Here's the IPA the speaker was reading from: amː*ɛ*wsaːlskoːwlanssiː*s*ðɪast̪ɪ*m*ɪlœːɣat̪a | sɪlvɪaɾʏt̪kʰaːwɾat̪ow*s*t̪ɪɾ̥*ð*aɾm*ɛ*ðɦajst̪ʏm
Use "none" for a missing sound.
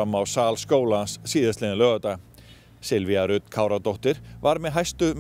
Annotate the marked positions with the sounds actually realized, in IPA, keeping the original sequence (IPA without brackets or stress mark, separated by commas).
a, none, n, h, v, ɛ